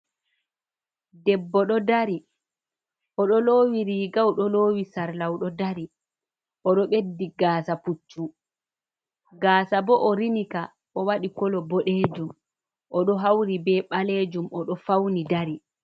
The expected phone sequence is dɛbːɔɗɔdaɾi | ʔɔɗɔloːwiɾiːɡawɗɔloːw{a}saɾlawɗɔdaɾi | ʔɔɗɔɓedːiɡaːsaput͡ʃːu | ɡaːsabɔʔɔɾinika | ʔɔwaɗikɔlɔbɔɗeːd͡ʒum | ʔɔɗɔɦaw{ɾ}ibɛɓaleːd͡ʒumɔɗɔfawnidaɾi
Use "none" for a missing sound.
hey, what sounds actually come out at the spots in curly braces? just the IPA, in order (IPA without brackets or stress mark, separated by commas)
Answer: i, ɾ